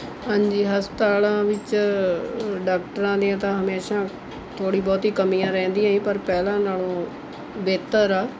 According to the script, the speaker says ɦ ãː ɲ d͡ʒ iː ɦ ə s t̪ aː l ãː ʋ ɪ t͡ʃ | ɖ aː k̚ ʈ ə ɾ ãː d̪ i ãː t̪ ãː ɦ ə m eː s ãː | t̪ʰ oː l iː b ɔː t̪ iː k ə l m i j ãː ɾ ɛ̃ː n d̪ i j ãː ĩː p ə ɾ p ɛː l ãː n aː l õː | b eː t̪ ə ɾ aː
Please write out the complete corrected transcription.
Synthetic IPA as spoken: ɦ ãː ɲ d͡ʒ iː ɦ ə s t̪ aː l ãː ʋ ɪ t͡ʃ | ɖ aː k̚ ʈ ə ɾ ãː d̪ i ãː t̪ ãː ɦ ə m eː ʃ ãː | t̪ʰ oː ɽ iː b ɔː t̪ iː k ə m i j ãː ɾ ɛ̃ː n d̪ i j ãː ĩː p ə ɾ p ɛː l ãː n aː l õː | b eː t̪ ə ɾ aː